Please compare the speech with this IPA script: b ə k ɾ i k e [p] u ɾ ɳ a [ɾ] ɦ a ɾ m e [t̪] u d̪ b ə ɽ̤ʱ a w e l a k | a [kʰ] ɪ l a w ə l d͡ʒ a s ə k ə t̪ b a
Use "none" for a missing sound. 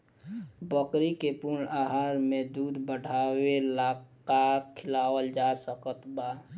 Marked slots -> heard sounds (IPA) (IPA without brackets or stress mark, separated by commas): p, none, d̪, kʰ